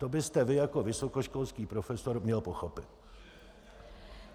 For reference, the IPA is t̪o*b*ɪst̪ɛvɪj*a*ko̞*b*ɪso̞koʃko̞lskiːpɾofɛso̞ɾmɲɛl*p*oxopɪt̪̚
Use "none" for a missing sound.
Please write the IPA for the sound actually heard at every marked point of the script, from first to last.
b, a, v, p

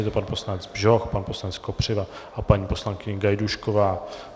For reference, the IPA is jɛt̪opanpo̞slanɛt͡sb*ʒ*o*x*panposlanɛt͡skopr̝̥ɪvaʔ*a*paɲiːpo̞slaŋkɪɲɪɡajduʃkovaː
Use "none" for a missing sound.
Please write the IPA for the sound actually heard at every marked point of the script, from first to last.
ʒ, x, a

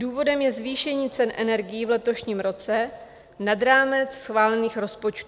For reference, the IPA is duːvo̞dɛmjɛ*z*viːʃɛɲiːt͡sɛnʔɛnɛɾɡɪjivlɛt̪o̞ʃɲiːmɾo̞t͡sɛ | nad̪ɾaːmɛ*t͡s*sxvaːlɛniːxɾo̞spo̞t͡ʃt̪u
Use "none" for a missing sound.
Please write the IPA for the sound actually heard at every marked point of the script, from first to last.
z, t͡s

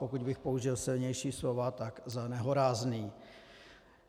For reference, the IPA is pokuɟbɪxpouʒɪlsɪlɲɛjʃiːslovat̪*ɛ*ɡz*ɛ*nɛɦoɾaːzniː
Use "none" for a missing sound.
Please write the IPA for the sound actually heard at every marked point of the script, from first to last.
a, a

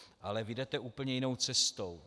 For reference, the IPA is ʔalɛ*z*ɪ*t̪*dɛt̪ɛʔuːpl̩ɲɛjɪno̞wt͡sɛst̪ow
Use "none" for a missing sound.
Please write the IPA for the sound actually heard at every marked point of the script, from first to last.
v, none

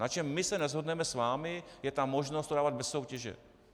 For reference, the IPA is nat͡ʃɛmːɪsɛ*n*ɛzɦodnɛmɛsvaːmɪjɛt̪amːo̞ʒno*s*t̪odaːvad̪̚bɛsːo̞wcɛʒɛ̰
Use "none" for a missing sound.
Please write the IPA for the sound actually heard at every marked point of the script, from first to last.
n, s

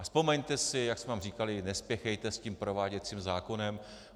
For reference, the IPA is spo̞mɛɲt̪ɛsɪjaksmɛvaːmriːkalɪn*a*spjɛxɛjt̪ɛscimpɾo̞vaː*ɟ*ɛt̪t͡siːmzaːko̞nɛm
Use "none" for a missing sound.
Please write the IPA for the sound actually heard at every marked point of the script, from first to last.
ɛ, ɟ

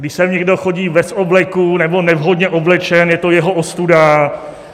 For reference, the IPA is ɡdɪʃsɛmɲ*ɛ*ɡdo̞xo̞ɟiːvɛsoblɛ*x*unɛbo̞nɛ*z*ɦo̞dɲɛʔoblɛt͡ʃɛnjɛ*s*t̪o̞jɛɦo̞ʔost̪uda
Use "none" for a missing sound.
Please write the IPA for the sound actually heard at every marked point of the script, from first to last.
ɛ, k, v, none

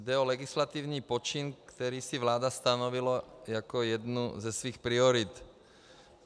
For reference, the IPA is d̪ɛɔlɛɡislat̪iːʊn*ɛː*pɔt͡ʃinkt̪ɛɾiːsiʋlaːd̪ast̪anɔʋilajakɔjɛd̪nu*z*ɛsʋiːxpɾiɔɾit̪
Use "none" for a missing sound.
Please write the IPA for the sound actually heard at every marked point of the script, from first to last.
iː, z

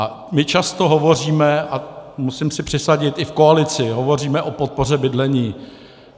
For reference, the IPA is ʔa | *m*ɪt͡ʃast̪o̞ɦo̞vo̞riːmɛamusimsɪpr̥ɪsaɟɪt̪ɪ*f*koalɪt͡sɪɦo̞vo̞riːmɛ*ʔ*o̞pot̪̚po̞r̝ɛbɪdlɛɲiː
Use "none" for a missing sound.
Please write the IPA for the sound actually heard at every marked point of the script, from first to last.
m, f, ʔ

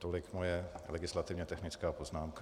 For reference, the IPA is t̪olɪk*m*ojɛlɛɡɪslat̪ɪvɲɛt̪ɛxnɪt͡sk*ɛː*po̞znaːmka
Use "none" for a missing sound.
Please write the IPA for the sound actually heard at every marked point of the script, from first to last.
m, aː

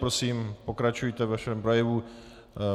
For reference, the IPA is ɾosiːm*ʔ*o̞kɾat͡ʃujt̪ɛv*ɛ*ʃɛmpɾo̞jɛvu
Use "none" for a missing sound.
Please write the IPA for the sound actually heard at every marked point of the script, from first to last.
p, a

